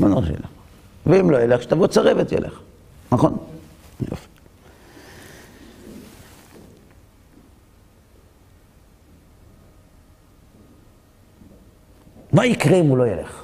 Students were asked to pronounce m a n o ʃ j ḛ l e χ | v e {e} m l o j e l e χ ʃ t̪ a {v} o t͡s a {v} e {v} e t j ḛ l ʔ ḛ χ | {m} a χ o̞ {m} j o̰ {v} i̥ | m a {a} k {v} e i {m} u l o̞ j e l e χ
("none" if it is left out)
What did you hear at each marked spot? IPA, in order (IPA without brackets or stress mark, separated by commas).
i, v, ʁ, v, n, n, f, i, ʁ, m